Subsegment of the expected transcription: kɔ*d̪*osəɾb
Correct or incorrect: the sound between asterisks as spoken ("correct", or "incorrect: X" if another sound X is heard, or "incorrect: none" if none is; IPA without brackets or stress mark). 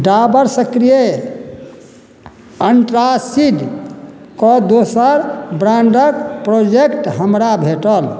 correct